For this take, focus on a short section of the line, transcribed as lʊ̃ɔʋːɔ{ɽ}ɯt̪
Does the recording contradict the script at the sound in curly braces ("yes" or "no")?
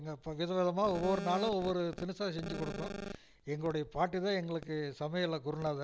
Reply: yes